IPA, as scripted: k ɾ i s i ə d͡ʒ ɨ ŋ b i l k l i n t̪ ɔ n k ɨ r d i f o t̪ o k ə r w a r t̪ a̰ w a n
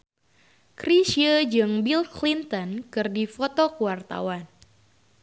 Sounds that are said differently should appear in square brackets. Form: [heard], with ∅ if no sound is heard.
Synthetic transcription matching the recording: k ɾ i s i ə d͡ʒ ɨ ŋ b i l k l i n t̪ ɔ n k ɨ r d i f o t̪ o k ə [∅] w a r t̪ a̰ w a n